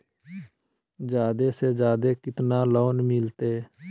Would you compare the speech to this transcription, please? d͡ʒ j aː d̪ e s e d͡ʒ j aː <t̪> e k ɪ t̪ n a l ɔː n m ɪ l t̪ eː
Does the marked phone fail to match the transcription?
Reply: yes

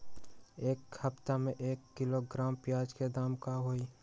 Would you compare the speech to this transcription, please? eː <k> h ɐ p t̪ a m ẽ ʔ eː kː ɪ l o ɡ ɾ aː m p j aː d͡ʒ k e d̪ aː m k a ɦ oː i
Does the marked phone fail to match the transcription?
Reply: no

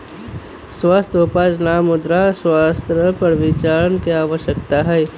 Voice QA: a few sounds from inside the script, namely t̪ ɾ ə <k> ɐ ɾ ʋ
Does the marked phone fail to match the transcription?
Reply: yes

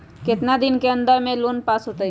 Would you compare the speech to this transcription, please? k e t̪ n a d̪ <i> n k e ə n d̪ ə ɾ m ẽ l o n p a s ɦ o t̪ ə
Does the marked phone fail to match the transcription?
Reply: no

